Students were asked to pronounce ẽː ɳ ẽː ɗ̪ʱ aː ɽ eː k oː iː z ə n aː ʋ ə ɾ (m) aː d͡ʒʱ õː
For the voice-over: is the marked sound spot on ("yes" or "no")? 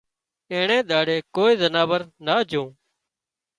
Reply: no